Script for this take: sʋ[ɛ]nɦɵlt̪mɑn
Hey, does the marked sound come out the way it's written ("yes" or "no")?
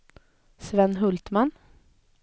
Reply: yes